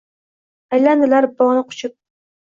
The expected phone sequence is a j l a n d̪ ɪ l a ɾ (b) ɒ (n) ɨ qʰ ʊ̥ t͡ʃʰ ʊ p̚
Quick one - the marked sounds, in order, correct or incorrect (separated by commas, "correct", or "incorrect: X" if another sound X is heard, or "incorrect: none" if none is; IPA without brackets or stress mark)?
correct, correct